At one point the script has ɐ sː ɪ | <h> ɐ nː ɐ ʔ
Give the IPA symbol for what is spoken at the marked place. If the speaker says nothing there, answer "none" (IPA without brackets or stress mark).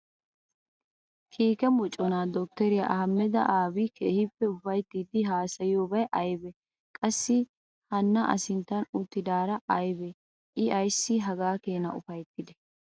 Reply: h